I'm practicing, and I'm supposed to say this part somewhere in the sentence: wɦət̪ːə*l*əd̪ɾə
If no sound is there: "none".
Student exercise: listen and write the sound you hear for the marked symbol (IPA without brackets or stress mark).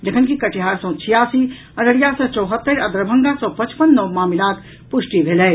ɾ